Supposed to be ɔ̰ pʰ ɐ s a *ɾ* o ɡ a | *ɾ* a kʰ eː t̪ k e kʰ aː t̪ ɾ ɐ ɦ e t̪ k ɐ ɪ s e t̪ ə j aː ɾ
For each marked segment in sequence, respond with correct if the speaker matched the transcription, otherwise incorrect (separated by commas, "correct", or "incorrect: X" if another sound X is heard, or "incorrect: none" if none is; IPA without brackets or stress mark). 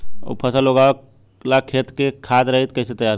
incorrect: l, incorrect: l